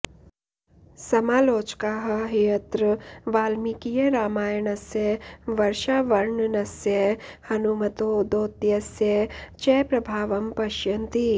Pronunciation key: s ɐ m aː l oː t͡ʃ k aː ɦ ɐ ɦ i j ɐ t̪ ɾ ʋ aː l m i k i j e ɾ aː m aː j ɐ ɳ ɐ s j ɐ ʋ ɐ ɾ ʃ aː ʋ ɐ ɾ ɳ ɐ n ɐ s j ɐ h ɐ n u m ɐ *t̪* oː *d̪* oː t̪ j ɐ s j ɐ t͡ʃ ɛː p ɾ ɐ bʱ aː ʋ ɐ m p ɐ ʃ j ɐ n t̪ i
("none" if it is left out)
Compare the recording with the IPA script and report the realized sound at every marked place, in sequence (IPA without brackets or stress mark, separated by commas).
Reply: t̪, d̪